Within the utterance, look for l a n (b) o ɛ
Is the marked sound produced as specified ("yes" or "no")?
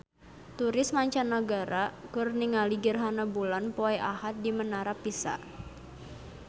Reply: no